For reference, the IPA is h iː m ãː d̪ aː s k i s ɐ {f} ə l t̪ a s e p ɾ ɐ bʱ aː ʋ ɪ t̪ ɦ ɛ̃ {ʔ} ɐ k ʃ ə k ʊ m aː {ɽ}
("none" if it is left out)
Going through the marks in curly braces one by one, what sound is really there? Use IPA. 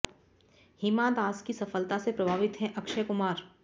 f, ʔ, ɾ

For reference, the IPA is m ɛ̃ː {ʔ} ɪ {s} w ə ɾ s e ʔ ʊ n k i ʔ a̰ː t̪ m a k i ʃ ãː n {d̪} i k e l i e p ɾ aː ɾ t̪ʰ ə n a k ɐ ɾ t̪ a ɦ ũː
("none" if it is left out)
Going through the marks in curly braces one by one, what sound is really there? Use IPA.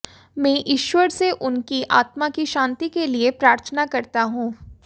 ʔ, ʃ, t̪

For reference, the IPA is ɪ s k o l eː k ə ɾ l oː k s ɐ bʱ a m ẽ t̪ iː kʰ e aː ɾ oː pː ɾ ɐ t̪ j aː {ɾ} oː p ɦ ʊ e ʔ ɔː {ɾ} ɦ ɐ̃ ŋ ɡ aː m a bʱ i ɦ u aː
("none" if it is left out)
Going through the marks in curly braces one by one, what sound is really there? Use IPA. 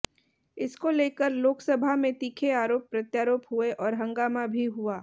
ɾ, ɾ

